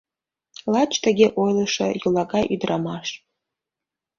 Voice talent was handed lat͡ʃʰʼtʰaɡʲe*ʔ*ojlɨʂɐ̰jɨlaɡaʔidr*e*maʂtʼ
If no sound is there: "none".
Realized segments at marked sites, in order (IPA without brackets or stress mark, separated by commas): ʔ, a